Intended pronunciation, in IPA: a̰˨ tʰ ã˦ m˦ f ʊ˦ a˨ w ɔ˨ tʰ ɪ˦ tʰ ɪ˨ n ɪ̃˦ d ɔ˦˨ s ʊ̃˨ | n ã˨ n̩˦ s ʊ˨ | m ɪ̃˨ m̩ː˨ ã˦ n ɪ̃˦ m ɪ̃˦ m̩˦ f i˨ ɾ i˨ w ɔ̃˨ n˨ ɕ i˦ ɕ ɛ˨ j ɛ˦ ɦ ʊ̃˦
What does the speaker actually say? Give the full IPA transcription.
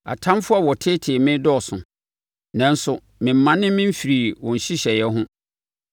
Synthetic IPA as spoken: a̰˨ tʰ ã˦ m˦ f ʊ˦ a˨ w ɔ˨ tʰ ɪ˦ tʰ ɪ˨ m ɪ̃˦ d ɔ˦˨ s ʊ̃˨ | n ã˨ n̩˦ s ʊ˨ | m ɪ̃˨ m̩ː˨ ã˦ n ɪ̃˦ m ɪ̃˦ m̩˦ f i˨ ɾ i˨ w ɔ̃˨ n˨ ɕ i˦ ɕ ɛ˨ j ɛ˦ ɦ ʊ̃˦